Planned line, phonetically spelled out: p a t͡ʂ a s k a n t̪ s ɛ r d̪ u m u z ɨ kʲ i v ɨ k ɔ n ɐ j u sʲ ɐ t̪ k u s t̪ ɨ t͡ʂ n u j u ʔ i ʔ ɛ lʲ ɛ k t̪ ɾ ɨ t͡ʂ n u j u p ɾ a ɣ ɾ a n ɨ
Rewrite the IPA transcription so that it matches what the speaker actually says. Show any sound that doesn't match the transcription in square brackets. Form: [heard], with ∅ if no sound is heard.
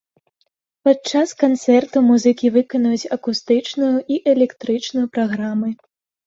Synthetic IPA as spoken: p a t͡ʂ a s k a n t̪ s ɛ r [t̪] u m u z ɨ kʲ i v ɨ k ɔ n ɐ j u [t͡sʲ] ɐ [∅] k u s t̪ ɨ t͡ʂ n u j u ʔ i ʔ ɛ lʲ ɛ k t̪ ɾ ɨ t͡ʂ n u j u p ɾ a ɣ ɾ a [m] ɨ

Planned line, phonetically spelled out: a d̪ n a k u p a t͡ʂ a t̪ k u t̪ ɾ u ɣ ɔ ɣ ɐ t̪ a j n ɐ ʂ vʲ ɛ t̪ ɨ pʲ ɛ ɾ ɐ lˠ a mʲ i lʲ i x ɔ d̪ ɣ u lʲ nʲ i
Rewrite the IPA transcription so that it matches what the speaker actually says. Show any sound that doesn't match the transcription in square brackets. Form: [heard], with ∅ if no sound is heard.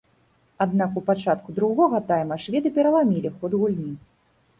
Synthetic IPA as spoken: a d̪ n a k u p a t͡ʂ a t̪ k u [d̪] ɾ u ɣ ɔ ɣ ɐ t̪ a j [m] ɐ ʂ vʲ ɛ [d̪] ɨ pʲ ɛ ɾ ɐ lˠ a mʲ i lʲ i x ɔ d̪ ɣ u lʲ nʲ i

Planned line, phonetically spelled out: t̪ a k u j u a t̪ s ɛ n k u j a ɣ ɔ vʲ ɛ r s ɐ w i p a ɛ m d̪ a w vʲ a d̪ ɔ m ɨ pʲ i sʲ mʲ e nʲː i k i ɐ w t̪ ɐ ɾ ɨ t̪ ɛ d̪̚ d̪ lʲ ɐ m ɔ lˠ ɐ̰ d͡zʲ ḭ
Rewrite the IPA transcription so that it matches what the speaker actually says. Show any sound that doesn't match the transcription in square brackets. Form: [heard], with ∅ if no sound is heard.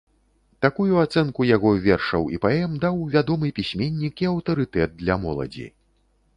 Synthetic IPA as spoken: t̪ a k u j u a t̪ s ɛ n k u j a ɣ ɔ vʲ ɛ r [ʂ] ɐ w i p a ɛ m d̪ a w vʲ a d̪ ɔ m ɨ pʲ i sʲ mʲ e nʲː i k i ɐ w t̪ ɐ ɾ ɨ t̪ ɛ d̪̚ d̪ lʲ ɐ m ɔ lˠ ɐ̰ d͡zʲ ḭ

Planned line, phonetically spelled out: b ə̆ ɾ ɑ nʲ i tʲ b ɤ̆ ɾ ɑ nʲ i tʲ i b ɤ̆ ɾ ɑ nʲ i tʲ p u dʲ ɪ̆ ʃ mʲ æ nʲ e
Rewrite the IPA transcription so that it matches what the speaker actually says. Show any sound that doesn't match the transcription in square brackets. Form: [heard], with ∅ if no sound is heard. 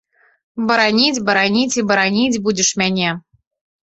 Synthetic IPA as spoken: b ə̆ ɾ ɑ nʲ i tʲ b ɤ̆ ɾ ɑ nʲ i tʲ i b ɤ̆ ɾ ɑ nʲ i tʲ [b] u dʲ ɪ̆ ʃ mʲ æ nʲ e

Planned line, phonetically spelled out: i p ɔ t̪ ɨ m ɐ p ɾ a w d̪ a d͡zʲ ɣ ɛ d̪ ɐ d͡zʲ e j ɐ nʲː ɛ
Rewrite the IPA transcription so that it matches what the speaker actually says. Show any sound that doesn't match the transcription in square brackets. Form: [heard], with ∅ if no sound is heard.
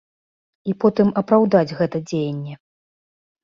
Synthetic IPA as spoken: i p ɔ t̪ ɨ m ɐ p ɾ a w d̪ a d͡zʲ ɣ ɛ [t̪] ɐ d͡zʲ e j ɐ nʲː ɛ

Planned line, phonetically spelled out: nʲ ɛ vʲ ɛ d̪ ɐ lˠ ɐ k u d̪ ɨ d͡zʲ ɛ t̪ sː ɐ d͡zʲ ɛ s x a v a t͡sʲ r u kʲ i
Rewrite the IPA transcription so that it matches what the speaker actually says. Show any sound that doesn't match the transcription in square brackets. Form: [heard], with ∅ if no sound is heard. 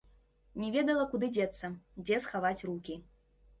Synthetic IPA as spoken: nʲ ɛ vʲ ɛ d̪ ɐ lˠ ɐ k u d̪ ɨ d͡zʲ ɛ t̪ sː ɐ d͡zʲ ɛ s x a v a t͡sʲ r u kʲ i

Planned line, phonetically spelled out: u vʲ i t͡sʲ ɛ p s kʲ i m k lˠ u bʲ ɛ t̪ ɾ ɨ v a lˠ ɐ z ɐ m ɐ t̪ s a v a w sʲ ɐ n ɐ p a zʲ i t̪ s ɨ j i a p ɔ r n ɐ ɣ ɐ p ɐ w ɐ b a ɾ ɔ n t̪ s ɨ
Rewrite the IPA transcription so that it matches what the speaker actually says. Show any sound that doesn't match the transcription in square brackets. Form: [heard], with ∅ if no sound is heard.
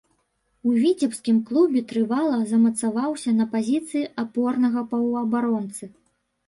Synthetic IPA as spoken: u vʲ i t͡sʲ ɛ p s kʲ i m k lˠ u bʲ ɛ t̪ ɾ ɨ v a lˠ ɐ z ɐ m ɐ t̪ s a v a w sʲ ɐ n ɐ p a zʲ i t̪ s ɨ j i a p ɔ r n ɐ ɣ ɐ p ɐ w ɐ b a ɾ ɔ n t̪ s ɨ

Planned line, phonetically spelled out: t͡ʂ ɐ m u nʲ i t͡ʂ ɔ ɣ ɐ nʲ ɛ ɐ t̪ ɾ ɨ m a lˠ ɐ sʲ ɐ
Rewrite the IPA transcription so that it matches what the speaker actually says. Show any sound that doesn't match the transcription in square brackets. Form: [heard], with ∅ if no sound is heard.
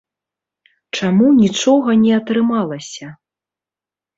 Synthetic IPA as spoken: t͡ʂ [a] m u nʲ i t͡ʂ ɔ ɣ ɐ nʲ ɛ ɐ t̪ ɾ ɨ m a lˠ ɐ sʲ ɐ

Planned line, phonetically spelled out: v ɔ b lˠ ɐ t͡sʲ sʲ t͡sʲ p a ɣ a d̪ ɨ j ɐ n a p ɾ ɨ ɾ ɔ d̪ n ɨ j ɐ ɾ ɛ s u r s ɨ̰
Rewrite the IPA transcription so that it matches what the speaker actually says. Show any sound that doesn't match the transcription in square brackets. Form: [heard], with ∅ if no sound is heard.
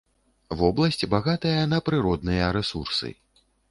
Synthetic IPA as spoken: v ɔ b lˠ ɐ [∅] sʲ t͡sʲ [b] a ɣ a [t̪] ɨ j ɐ n [ɐ] p ɾ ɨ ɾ ɔ d̪ n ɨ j ɐ ɾ ɛ s u r s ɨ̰

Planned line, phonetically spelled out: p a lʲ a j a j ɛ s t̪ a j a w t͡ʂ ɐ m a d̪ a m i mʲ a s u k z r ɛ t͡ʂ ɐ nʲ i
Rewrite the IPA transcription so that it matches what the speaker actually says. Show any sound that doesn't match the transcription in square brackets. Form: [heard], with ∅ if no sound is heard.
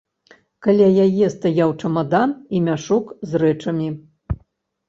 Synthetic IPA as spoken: [k] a lʲ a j a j ɛ s t̪ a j a w t͡ʂ ɐ m a d̪ a [n] i mʲ a [ʂ] u k z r ɛ t͡ʂ ɐ [mʲ] i

